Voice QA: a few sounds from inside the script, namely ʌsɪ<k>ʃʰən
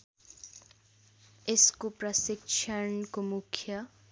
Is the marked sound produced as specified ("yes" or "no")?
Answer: yes